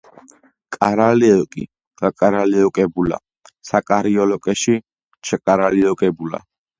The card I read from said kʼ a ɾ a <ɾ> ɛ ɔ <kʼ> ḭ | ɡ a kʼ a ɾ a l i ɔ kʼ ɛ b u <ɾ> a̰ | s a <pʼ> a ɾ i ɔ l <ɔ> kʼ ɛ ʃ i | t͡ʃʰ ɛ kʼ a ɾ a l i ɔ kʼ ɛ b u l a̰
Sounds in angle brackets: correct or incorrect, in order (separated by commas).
incorrect, correct, incorrect, incorrect, correct